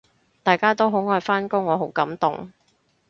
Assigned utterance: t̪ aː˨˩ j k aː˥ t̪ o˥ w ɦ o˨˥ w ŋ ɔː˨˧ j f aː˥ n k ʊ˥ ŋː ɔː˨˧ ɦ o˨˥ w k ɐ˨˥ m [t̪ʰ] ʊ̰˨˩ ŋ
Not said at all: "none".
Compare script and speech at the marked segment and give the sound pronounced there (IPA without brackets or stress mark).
t̪